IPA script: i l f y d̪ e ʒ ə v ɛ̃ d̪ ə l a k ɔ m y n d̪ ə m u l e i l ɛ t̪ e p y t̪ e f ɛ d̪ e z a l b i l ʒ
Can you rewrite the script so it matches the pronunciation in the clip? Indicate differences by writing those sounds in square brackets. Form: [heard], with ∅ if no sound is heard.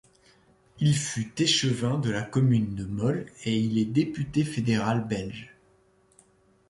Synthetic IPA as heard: i l f y [t̪] e [ʃ] ə v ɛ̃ d̪ ə l a k ɔ m y n d̪ ə m [ɔ] l e i l ɛ [d̪] e p y t̪ e f [e] d̪ e [ʁ] a l b [ɛ] l ʒ

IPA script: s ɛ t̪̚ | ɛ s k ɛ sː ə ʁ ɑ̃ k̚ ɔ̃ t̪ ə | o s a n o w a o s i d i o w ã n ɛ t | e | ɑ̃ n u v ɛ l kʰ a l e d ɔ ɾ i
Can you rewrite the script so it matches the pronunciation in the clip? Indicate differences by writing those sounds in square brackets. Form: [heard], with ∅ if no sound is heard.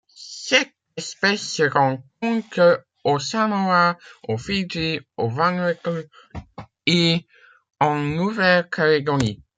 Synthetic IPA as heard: s ɛ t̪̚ | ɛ s [p] ɛ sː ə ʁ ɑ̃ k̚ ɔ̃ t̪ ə | o s a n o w a o [f] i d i o [v] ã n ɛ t | e | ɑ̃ n u v ɛ l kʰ a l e [ɡ] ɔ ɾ i

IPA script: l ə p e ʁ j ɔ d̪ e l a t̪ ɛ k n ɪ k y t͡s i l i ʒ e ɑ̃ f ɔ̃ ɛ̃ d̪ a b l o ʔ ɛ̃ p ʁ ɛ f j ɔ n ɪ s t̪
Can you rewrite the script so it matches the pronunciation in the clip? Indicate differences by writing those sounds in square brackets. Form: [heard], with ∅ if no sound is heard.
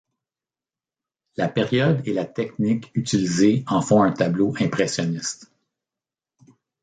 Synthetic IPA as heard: l [a] p e ʁ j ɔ d̪ e l a t̪ ɛ k n ɪ k y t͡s i l i [z] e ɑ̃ f ɔ̃ ɛ̃ [t̪] a b l o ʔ ɛ̃ p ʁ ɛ [s] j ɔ n ɪ s t̪

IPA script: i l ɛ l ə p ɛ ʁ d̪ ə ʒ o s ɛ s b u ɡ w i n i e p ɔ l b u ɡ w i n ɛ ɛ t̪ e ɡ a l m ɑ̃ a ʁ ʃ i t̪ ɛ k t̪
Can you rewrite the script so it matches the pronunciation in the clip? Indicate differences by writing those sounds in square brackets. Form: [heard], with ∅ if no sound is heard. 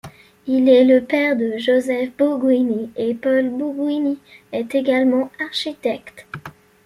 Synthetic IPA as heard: i l ɛ l ə p ɛ ʁ d̪ ə ʒ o [z] ɛ [f] b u ɡ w i n i e p ɔ l b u ɡ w i n [i] ɛ t̪ e ɡ a l m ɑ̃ a ʁ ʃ i t̪ ɛ k t̪

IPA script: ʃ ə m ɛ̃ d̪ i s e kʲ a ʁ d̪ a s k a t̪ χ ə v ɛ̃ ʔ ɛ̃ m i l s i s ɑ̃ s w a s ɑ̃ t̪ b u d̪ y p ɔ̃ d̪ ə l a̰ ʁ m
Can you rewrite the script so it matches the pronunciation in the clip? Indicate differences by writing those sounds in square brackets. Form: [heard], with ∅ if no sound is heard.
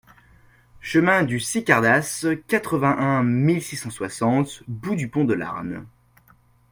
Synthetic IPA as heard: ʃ ə m ɛ̃ d̪ [y] s [i] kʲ a ʁ d̪ a s k a t̪ χ ə v ɛ̃ ʔ ɛ̃ m i l s i s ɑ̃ s w a s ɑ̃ t̪ b u d̪ y p ɔ̃ d̪ ə l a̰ ʁ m

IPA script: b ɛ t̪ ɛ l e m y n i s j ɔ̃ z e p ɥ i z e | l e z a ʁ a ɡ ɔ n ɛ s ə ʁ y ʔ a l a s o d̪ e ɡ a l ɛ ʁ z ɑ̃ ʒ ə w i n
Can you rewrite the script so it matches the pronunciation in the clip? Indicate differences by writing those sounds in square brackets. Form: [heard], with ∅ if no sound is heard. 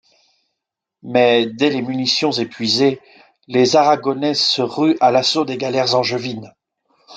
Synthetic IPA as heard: [m] ɛ [d̪] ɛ l e m y n i s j ɔ̃ z e p ɥ i z e | l e z a ʁ a ɡ ɔ n ɛ s ə ʁ y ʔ a l a s o d̪ e ɡ a l ɛ ʁ z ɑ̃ ʒ ə [v] i n

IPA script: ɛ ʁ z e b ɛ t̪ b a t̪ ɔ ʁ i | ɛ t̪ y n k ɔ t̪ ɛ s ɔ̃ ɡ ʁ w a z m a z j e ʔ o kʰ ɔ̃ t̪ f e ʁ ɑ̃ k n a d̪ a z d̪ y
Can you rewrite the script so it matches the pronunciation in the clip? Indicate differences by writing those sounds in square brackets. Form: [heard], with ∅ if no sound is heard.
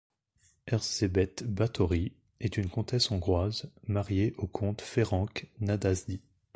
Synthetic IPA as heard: ɛ ʁ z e b ɛ t̪ b a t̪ ɔ ʁ i | ɛ t̪ y n k [ɔ̃] t̪ ɛ s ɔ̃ ɡ ʁ w a z m a [ʁ] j e ʔ o kʰ ɔ̃ t̪ f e ʁ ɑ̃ k n a d̪ a z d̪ [i]

